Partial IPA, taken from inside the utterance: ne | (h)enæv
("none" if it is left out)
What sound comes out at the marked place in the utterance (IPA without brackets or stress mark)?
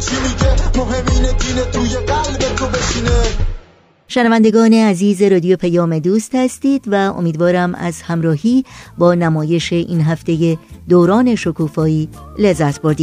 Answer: ʃ